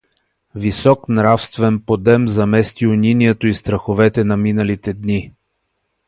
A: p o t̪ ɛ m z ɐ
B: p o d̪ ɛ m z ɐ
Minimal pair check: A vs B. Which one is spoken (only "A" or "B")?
B